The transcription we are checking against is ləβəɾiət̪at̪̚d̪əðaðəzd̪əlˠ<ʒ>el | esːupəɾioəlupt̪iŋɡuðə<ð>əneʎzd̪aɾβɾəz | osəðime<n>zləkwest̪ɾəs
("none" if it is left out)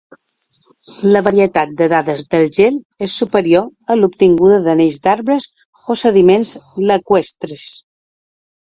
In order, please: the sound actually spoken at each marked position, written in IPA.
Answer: ʒ, ð, n

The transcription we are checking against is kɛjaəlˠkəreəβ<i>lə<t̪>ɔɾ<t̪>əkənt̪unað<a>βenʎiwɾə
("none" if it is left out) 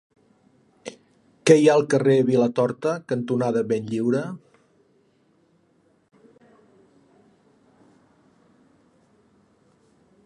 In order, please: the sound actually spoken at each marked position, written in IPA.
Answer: i, t̪, t̪, ə

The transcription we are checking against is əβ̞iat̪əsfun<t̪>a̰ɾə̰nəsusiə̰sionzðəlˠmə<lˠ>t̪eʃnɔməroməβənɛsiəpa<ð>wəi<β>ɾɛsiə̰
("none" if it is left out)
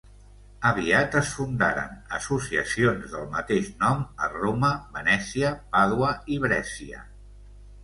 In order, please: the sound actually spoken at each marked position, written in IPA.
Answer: d̪, none, ð, β

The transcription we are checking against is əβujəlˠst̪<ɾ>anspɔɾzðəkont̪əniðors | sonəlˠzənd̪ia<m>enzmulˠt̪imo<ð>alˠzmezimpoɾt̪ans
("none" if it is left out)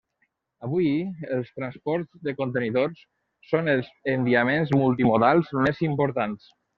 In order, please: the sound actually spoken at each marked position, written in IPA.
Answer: ɾ, m, ð

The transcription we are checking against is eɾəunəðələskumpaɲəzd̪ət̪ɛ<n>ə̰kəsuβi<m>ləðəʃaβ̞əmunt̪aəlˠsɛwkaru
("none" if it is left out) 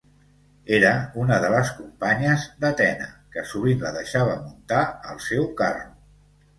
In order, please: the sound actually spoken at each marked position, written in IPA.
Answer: n, n

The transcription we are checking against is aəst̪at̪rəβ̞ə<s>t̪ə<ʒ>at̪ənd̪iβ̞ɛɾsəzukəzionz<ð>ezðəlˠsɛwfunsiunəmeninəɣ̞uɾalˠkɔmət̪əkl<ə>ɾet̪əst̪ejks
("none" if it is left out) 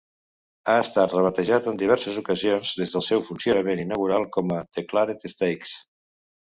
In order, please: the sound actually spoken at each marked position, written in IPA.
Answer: none, ʒ, ð, a

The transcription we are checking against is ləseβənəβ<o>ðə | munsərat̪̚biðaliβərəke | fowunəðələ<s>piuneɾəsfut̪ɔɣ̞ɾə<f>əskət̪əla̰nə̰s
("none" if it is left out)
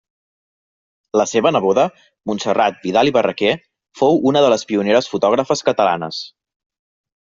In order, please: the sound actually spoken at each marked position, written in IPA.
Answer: o, s, f

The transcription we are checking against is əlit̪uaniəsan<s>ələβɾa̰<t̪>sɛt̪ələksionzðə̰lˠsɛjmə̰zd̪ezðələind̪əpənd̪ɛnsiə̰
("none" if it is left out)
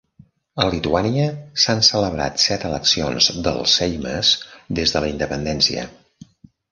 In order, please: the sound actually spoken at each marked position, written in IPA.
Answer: s, t̪

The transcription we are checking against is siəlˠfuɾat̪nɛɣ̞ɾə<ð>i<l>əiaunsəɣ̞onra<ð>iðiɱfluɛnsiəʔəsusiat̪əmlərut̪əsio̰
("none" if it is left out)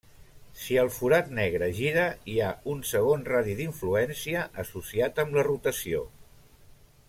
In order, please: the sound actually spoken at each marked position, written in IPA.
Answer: ʒ, ɾ, ð

